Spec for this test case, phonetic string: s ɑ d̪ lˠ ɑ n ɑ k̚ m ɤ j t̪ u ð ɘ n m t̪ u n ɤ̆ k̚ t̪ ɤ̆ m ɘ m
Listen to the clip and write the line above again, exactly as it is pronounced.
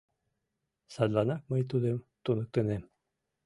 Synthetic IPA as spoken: s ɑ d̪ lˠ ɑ n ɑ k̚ m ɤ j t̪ u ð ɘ m t̪ u n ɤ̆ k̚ t̪ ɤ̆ n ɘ m